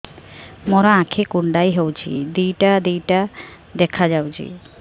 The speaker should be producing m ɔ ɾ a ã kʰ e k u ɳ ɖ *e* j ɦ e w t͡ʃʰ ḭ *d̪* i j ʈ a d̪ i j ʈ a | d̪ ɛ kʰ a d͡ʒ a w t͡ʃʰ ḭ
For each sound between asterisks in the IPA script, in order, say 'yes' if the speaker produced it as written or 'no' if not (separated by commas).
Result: no, yes